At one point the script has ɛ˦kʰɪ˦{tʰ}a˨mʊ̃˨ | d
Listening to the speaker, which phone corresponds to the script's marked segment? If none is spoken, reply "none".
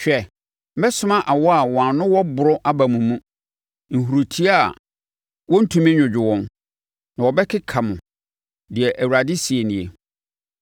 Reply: kʰ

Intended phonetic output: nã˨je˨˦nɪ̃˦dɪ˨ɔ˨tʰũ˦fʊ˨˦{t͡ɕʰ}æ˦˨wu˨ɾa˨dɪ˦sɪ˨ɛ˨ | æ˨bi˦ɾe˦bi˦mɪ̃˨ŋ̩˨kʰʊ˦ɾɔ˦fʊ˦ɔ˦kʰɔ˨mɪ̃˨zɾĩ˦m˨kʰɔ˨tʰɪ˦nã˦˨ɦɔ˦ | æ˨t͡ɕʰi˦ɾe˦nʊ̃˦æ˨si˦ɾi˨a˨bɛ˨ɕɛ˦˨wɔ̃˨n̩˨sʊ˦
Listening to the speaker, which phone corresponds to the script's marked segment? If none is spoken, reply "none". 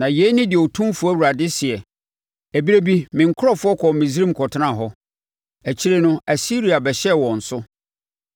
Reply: none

